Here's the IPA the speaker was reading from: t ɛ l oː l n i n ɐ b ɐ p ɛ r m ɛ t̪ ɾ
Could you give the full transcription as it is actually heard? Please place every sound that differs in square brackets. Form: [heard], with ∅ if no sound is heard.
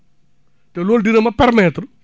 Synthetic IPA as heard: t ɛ l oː l [d] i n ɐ [m] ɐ p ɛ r m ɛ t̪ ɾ